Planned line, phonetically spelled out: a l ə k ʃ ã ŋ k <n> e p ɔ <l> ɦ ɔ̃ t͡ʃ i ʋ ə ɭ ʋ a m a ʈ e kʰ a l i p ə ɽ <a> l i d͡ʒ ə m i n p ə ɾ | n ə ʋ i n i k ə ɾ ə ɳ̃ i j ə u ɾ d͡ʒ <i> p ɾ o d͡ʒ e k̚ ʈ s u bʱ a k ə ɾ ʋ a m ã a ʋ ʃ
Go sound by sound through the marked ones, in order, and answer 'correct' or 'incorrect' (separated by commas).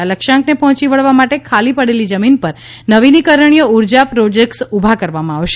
correct, incorrect, incorrect, incorrect